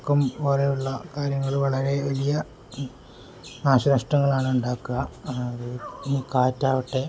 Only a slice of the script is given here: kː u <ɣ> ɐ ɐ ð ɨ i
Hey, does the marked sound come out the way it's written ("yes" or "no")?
yes